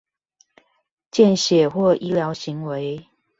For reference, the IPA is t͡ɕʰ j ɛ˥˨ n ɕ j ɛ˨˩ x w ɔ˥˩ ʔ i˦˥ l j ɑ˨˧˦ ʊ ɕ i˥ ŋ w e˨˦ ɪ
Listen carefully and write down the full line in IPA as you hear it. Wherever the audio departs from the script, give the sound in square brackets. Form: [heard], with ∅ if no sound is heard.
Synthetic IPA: [t͡ɕ] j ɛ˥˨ n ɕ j ɛ˨˩ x w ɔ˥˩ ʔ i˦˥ l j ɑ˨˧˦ ʊ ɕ [i˨˦] ŋ w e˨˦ ɪ